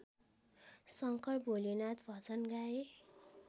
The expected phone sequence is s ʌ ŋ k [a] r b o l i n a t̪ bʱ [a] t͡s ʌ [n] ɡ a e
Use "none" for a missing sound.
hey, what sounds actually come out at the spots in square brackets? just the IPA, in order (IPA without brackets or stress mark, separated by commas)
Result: ʌ, ʌ, n